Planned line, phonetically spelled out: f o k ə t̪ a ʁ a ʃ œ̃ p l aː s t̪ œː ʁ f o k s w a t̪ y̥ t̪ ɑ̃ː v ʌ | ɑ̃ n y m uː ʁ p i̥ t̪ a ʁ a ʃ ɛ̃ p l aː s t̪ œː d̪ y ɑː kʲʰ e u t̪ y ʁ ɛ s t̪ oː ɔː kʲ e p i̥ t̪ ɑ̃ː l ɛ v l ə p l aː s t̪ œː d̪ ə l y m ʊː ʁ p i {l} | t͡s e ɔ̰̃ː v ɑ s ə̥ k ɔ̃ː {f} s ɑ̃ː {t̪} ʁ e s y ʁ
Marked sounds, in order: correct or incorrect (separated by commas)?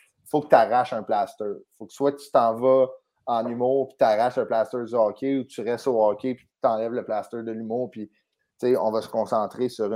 incorrect, incorrect, correct